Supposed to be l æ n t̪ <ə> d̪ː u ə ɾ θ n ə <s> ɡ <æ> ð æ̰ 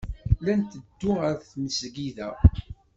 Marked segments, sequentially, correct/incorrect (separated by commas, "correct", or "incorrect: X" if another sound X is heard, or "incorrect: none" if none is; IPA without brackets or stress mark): correct, correct, incorrect: i